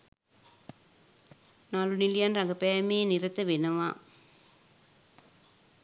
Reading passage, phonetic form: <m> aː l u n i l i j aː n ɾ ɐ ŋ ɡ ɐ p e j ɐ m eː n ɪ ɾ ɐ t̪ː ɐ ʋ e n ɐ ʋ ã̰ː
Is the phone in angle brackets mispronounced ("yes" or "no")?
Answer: yes